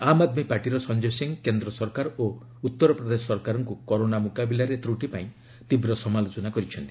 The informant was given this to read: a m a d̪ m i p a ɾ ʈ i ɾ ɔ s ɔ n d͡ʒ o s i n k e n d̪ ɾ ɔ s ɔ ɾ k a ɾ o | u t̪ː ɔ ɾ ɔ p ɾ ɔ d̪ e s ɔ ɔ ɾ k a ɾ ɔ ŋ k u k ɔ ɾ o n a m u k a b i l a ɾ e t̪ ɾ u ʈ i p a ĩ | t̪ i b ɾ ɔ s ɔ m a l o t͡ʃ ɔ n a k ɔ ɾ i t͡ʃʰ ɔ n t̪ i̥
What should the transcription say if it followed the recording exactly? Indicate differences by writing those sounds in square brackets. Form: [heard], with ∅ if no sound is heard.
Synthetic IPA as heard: a m a d̪ m i p a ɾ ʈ i ɾ ɔ s ɔ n d͡ʒ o s i [ŋ] k e n d̪ ɾ ɔ s ɔ ɾ k a ɾ o | u t̪ː ɔ ɾ ɔ p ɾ ɔ d̪ e s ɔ ɔ ɾ k a ɾ ɔ ŋ k u k ɔ ɾ o n a m u k a b i l a ɾ e t̪ ɾ u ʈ i p a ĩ | t̪ i b ɾ ɔ s ɔ m a l o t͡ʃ ɔ n a k ɔ ɾ i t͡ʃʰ ɔ n t̪ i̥